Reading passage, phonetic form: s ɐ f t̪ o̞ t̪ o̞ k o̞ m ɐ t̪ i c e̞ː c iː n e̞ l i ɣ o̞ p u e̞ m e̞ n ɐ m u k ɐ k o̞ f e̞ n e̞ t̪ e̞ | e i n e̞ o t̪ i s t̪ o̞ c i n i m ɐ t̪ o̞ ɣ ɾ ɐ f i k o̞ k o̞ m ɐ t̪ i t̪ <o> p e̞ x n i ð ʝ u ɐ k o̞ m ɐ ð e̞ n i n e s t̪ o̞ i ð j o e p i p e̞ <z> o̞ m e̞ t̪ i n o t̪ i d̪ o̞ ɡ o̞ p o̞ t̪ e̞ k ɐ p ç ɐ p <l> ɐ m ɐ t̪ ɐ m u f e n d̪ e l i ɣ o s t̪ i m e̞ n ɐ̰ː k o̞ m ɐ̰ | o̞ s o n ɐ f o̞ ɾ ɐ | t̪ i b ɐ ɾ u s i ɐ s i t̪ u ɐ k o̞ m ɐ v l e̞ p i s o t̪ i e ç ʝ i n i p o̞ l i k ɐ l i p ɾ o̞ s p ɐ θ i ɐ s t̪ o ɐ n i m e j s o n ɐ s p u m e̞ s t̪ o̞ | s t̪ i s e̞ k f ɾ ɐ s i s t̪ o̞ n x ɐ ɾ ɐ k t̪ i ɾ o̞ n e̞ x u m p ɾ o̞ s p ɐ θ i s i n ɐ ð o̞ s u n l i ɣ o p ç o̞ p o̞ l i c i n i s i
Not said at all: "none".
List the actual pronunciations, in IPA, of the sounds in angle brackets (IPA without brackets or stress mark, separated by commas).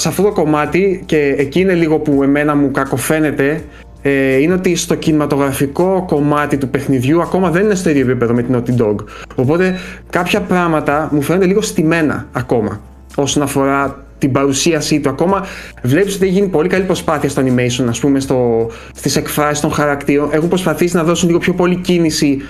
u, ð, ɾ